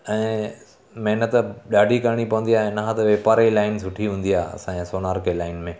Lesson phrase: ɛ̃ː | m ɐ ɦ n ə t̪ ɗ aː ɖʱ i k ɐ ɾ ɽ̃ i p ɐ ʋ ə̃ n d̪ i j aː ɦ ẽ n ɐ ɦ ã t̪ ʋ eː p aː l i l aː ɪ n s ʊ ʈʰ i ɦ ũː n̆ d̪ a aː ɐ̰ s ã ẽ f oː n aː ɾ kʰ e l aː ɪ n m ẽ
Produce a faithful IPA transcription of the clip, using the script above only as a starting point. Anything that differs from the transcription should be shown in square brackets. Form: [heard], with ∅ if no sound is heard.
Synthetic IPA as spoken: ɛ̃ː | m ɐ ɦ n ə t̪ ɗ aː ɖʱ i k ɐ ɾ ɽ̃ i p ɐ ʋ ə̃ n d̪ i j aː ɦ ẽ n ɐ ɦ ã t̪ ʋ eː p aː [ɾ] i l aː ɪ n s ʊ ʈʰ i ɦ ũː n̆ d̪ [i] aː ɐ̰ s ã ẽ [s] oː n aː ɾ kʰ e l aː ɪ n m ẽ